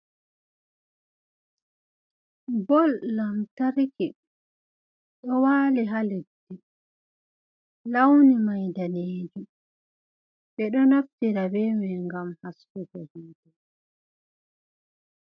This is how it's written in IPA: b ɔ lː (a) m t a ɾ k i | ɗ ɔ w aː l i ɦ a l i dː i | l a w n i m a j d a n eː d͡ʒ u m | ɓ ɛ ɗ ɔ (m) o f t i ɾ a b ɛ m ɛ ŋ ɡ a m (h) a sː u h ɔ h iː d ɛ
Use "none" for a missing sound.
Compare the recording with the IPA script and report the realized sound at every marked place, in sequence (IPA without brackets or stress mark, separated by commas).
a, n, h